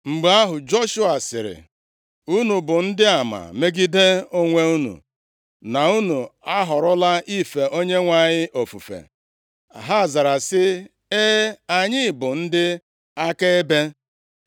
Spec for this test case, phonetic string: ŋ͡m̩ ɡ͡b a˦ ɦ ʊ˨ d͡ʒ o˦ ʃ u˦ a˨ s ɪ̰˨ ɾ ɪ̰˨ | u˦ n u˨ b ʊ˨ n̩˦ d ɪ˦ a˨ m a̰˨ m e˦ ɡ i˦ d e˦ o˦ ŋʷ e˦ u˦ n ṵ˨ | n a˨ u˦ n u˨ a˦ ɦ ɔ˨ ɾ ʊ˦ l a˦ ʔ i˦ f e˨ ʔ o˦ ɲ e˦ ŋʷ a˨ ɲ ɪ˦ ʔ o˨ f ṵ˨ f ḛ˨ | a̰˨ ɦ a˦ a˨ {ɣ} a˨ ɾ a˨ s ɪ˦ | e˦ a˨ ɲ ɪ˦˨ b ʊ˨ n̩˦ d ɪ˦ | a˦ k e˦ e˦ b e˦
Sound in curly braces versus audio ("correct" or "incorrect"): incorrect